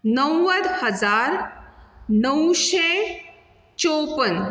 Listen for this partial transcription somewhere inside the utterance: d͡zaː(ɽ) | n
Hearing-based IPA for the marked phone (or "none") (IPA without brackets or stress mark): ɾ